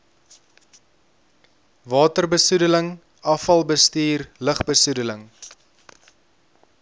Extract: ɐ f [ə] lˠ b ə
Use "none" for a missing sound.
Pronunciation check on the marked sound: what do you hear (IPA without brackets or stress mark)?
ɐ